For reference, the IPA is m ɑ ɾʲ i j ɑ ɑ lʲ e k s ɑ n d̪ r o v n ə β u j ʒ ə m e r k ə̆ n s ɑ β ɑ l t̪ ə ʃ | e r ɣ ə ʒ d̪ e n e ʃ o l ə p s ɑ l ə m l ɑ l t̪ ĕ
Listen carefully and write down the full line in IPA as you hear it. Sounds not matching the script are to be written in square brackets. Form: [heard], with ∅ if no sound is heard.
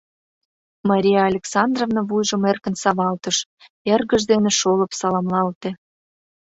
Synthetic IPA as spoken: m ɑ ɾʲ i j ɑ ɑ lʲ e k s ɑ n d̪ r o v n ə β u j ʒ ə m e r k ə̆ n s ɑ β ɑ l t̪ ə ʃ | e r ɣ ə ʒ d̪ e n e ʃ o l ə p s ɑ l [ɑ] m l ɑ l t̪ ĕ